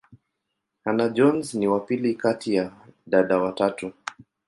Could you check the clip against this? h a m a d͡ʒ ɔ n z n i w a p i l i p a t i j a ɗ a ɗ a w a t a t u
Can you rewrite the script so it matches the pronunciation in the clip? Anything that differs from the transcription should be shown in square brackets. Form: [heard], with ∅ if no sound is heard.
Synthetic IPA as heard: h a [n] a d͡ʒ ɔ n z n i w a p i l i [k] a t i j a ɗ a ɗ a w a t a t u